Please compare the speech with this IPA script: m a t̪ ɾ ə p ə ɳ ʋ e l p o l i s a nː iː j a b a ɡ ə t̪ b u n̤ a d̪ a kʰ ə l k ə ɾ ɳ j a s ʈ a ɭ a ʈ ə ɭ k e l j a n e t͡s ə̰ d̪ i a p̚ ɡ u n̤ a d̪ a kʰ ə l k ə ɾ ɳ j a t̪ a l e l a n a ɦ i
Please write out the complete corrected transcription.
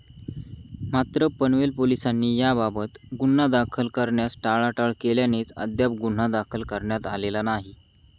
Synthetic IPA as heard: m a t̪ ɾ ə p ə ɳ ʋ e l p o l i s a nː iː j a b a b ə t̪ ɡ u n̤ a d̪ a kʰ ə l k ə ɾ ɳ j a s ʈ a ɭ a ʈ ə ɭ k e l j a n e t͡s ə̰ d̪ j a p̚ ɡ u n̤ a d̪ a kʰ ə l k ə ɾ ɳ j a t̪ a l e l a n a ɦ i